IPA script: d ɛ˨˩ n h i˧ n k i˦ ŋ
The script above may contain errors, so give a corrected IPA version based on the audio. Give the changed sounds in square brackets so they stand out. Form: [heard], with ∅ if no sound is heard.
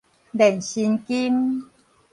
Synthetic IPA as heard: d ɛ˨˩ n [ɕ] i˧ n k i˦ [m]